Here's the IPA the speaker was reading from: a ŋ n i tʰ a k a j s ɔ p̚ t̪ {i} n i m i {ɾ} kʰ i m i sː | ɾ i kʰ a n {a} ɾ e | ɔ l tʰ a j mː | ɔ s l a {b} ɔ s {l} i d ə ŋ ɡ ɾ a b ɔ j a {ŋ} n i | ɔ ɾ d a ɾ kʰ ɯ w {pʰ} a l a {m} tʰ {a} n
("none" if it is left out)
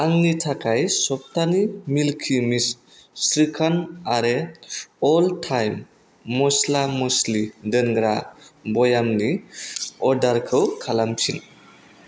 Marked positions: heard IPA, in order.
a, l, a, m, l, m, kʰ, m, i

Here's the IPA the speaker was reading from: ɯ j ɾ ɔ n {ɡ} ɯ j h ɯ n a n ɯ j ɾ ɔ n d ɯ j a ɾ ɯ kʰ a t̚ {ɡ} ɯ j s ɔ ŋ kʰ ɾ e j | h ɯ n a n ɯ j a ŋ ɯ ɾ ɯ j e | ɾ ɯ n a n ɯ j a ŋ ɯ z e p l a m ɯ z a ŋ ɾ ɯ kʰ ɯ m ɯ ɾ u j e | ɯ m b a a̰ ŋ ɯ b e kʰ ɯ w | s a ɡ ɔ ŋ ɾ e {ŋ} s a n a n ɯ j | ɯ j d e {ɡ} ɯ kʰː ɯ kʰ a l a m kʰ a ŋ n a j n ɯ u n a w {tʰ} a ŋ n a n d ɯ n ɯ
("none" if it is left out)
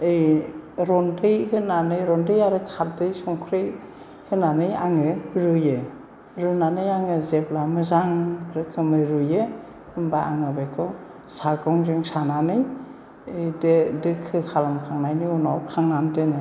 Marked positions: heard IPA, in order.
d, d, ŋ, d, kʰ

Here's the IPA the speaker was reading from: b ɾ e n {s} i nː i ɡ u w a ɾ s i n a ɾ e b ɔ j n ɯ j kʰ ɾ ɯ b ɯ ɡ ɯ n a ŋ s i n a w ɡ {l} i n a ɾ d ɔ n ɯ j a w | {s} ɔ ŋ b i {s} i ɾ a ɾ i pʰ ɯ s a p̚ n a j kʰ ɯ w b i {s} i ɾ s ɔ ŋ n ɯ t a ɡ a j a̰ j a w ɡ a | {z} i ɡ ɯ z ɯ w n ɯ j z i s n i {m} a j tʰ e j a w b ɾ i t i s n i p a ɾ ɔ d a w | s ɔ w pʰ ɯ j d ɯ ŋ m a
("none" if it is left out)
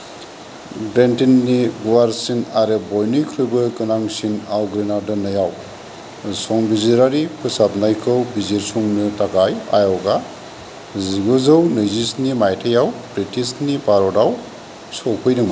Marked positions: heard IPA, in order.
t, ɾ, s, z, z, z, m

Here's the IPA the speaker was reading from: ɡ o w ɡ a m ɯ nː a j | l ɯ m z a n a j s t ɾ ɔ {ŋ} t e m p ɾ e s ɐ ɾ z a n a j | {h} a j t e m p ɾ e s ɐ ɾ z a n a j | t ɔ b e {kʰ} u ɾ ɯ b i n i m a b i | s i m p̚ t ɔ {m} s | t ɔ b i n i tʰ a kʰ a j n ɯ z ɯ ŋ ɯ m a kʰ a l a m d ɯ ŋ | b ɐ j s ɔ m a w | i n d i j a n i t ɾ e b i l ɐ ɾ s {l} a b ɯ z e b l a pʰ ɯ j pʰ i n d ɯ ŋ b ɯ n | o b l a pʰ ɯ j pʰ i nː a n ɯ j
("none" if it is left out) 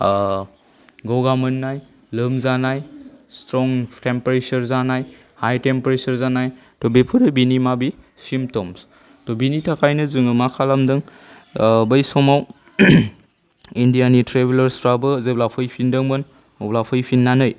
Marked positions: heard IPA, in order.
ŋ, h, pʰ, m, ɾ

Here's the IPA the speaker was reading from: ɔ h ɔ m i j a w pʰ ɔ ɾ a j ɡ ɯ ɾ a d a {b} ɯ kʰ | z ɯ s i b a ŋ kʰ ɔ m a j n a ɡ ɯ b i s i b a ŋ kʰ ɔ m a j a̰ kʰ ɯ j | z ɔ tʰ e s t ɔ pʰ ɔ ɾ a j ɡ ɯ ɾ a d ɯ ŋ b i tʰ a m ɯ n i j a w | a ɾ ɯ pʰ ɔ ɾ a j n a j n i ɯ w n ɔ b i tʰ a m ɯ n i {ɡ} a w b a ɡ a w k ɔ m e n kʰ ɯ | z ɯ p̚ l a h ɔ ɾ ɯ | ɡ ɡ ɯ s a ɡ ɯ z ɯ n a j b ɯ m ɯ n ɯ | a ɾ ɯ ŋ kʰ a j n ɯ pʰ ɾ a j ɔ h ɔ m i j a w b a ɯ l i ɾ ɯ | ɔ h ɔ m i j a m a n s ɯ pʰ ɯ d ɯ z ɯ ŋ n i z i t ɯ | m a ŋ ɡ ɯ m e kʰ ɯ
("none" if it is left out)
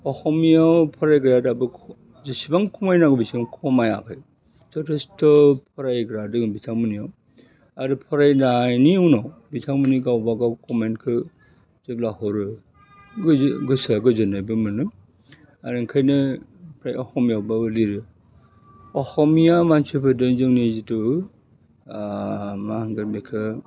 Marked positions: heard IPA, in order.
b, ɡ

